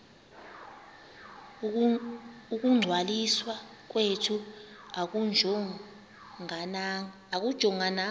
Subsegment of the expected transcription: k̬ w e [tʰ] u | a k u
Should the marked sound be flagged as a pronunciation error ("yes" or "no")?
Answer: no